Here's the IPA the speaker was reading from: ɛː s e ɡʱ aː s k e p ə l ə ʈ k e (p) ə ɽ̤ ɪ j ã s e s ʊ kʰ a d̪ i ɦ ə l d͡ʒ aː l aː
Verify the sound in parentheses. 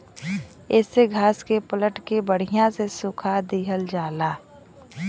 incorrect: b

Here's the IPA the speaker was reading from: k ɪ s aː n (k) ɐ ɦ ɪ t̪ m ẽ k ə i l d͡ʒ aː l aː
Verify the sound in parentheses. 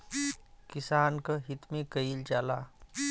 correct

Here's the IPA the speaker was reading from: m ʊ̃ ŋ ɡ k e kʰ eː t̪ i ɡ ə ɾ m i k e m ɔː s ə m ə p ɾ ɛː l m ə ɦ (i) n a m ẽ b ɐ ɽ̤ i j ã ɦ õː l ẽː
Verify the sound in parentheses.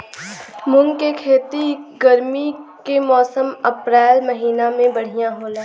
incorrect: iː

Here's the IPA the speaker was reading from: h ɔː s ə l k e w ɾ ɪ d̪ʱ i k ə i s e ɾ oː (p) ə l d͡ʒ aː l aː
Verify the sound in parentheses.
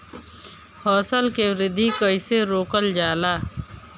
incorrect: k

